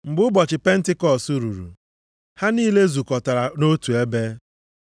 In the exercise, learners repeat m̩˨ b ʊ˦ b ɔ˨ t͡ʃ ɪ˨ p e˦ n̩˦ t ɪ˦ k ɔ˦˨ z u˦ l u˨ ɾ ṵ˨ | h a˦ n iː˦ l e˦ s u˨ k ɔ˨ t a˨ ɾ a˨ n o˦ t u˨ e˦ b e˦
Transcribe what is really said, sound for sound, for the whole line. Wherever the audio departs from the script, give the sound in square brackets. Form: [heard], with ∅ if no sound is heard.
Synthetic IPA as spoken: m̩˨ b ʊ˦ b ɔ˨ t͡ʃ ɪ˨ p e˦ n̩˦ t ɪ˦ k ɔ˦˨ [s] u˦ [ɾ] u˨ ɾ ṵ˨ | h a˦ n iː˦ l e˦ [z] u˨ k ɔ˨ t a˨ ɾ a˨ n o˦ t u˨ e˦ b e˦